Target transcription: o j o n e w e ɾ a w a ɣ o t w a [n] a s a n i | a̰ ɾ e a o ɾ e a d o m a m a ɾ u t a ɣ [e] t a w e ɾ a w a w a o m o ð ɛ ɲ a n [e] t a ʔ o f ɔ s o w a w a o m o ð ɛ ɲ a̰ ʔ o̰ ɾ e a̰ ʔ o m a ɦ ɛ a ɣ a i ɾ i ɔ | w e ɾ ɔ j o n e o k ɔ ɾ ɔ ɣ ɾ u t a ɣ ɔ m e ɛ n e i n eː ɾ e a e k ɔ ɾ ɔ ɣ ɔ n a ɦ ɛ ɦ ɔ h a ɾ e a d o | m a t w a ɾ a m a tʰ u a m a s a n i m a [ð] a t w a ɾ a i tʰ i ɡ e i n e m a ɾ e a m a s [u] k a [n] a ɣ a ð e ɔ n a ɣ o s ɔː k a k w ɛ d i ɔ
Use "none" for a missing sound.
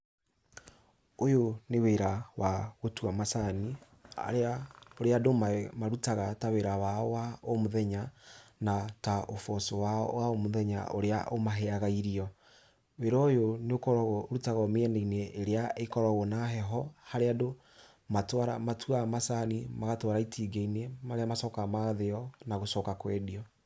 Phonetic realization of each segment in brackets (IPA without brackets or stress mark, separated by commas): m, a, a, ɣ, ɔ, m